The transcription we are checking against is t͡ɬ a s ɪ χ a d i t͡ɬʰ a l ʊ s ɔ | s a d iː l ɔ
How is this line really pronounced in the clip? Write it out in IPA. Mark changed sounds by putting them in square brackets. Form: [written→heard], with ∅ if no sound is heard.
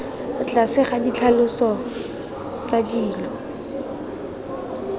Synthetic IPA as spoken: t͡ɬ a s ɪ χ a d i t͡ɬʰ a l ʊ s ɔ | [s→t͡s] a d iː l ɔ